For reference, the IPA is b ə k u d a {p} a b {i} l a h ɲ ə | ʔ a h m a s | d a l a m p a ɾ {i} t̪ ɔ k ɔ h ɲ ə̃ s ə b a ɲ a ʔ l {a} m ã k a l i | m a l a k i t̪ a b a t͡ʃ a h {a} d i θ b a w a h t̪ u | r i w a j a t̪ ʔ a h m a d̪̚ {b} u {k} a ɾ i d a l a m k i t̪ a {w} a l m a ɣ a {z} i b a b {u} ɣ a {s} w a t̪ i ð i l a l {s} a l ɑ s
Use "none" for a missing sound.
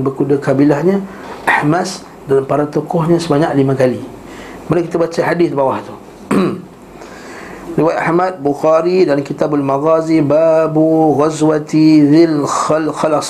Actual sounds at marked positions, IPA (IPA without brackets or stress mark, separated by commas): k, i, a, i, a, b, x, b, z, u, z, x